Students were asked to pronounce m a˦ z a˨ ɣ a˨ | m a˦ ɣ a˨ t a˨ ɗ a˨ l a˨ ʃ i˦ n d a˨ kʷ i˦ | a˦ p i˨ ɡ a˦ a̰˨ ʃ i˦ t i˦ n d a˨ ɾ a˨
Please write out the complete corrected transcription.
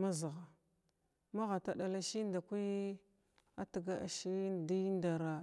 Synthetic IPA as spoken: m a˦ z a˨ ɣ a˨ | m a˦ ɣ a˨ t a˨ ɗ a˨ l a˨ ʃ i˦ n d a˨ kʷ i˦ | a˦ t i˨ ɡ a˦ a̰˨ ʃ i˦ d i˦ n d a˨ ɾ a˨